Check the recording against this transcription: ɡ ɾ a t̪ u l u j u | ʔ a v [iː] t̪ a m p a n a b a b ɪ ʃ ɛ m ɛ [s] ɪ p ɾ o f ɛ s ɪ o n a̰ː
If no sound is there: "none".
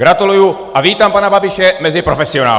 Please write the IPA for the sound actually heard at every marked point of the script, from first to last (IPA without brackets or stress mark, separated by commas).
iː, z